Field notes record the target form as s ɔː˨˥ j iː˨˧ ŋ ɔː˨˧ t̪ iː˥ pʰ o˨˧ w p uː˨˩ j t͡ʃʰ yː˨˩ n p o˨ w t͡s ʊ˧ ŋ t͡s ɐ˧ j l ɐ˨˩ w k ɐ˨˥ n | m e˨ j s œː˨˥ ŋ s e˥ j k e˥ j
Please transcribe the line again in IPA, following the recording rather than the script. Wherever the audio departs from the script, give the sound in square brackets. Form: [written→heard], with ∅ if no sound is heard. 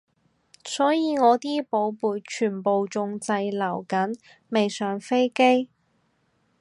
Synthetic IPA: s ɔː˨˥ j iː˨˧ ŋ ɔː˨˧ t̪ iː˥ [pʰ→p] o˨˧ w p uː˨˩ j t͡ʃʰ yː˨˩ n p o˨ w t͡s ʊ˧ ŋ t͡s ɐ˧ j l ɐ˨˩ w k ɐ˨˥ n | m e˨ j s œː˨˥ ŋ [s→f] e˥ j k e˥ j